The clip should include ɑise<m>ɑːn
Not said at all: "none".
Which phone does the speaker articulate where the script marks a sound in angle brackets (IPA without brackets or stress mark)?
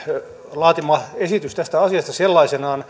n